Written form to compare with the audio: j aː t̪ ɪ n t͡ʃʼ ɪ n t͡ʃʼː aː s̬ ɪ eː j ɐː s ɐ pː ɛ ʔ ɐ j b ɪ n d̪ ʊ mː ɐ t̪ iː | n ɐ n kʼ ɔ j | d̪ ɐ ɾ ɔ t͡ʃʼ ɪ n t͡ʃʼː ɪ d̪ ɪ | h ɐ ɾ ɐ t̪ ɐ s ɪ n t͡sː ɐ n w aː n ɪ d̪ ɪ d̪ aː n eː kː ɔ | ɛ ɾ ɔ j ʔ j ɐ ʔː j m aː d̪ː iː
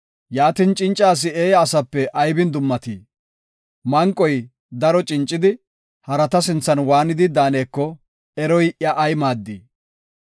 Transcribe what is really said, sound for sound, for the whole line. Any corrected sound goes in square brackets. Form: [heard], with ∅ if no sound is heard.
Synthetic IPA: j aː t̪ ɪ n t͡ʃʼ ɪ n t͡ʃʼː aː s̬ ɪ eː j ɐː s ɐ pː ɛ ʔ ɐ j b ɪ n d̪ ʊ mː ɐ t̪ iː | [m] ɐ [ŋ] kʼ ɔ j | d̪ ɐ ɾ ɔ t͡ʃʼ ɪ n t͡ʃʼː ɪ d̪ ɪ | h ɐ ɾ ɐ t̪ ɐ s ɪ n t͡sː ɐ n w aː n ɪ d̪ ɪ d̪ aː n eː kː ɔ | ɛ ɾ ɔ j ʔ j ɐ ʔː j m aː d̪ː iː